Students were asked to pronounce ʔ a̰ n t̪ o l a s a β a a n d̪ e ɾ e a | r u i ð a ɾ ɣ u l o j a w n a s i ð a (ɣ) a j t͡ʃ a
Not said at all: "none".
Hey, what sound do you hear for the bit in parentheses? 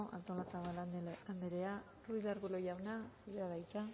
ð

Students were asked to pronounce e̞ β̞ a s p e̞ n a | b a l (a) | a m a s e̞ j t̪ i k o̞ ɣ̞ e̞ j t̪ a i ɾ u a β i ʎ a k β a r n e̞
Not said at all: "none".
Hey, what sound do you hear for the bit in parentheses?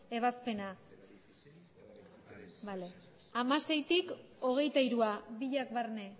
e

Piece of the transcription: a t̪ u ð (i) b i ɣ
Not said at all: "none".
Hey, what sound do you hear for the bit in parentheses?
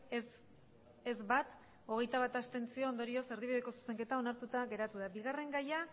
a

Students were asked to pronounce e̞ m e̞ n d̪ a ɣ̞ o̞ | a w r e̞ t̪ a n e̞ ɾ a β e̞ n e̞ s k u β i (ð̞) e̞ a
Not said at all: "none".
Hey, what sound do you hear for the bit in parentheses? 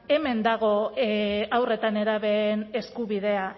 ð̞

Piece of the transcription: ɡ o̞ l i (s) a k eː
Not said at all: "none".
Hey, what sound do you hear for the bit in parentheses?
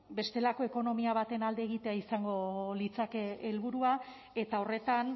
t͡s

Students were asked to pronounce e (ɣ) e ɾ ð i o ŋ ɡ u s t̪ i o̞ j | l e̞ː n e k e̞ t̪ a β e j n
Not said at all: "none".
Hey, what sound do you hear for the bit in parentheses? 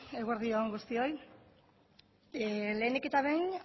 ɣ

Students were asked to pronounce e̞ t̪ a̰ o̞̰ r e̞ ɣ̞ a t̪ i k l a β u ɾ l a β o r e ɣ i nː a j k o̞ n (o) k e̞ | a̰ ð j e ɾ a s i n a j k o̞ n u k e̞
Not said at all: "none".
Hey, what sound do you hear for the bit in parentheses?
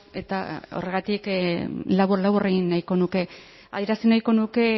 u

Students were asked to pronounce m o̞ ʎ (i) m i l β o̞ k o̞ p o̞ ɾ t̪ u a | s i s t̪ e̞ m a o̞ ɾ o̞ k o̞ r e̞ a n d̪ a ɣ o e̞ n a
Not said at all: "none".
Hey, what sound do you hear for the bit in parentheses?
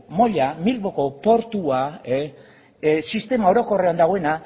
a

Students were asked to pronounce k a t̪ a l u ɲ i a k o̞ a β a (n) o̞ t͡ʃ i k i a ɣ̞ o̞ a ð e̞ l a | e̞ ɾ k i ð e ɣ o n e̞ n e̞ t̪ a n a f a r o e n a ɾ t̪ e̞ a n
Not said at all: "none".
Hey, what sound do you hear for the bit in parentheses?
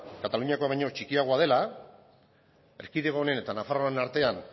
ɲ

